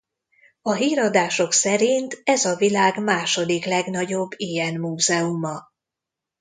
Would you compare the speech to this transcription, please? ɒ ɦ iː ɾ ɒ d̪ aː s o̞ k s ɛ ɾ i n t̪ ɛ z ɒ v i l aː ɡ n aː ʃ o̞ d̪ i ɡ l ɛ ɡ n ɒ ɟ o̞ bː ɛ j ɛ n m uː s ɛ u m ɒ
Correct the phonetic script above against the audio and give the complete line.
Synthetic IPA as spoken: ɒ ɦ iː ɾ ɒ d̪ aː ʃ o̞ k s ɛ ɾ i n t̪ ɛ z ɒ v i l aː ɡ m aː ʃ o̞ d̪ i k l ɛ ɡ n ɒ ɟ o̞ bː i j ɛ n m uː z ɛ u m ɒ